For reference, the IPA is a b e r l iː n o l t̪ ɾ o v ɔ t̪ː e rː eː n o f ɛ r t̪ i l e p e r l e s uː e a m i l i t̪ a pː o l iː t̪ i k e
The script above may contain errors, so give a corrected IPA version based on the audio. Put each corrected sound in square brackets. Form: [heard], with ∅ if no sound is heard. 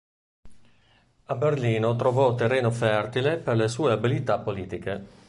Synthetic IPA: a b e r l iː n o [∅] t̪ ɾ o v ɔ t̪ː e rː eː n o f ɛ r t̪ i l e p e r l e s uː e a [b] i l i t̪ a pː o l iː t̪ i k e